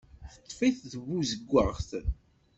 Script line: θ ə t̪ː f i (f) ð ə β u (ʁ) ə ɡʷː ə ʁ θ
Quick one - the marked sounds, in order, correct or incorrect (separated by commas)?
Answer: incorrect, incorrect